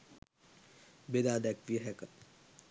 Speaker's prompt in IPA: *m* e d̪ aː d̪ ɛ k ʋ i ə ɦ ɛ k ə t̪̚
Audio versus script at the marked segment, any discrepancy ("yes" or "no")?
yes